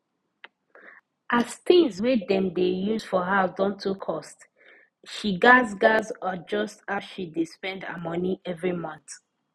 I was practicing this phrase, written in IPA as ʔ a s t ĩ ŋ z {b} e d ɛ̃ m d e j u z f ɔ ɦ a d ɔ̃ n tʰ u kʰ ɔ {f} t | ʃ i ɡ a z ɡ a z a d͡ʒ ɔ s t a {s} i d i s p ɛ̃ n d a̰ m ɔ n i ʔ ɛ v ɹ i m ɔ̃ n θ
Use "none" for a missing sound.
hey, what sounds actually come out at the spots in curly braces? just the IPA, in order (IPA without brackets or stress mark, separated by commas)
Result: w, s, ʃ